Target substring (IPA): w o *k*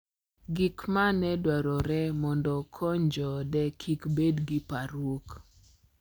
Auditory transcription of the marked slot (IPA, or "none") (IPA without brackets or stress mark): k